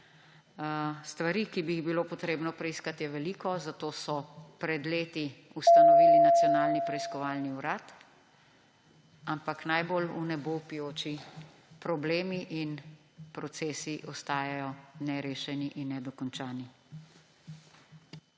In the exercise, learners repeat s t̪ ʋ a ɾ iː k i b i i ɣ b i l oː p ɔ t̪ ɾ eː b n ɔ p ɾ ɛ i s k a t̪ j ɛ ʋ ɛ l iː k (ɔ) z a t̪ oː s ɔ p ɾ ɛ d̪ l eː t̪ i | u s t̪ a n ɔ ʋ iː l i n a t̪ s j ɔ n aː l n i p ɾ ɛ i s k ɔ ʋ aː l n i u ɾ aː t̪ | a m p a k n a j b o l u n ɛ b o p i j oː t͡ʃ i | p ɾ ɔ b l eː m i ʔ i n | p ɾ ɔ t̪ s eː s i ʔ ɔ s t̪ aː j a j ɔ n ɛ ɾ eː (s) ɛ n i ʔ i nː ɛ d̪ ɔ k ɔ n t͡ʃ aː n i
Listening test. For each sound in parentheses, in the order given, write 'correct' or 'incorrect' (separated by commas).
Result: correct, incorrect